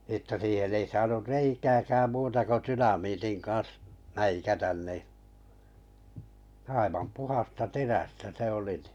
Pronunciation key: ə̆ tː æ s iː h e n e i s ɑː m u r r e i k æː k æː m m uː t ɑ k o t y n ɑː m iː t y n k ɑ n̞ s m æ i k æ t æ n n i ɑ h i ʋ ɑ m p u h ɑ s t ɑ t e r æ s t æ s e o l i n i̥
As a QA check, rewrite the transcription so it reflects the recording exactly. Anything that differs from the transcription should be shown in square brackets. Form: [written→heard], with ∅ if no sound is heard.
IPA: ə̆ tː æ s iː h e n e i s ɑː [m→n] u r r e i k æː k æː m m uː t ɑ k o t y n [ɑː→ɑ] m iː t [y→i] n k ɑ n̞ s m æ i k æ t æ n n i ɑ [h→∅] i ʋ ɑ m p u h ɑ s t ɑ t e r æ s t æ s e o l i n i̥